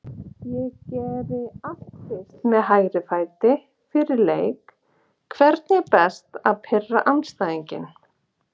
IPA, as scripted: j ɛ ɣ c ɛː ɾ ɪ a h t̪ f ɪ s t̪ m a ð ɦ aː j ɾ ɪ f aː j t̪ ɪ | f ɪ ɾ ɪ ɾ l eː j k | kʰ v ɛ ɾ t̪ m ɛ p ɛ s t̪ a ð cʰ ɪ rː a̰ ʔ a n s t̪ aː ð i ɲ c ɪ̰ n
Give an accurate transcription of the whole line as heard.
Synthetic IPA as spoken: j ɛ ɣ c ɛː ɾ ɪ a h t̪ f ɪ s t̪ m ɛ ð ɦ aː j ɾ ɪ f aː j t̪ ɪ | f ɪ ɾ ɪ ɾ l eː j k | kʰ v ɛ ɾ t̪ n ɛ p ɛ s t̪ a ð pʰ ɪ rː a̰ ʔ a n s t̪ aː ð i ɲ c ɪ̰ n